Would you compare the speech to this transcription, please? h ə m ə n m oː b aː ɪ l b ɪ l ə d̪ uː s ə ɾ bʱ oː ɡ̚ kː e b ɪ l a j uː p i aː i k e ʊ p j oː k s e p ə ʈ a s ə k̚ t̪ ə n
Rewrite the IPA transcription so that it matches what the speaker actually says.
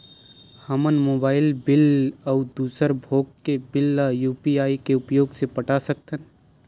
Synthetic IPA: h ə m ə n m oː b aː ɪ l b ɪ l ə d̪ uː s ə ɾ bʱ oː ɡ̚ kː e b ɪ l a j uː p i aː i k e ʊ p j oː ɡ s e p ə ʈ a s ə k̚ t̪ ə n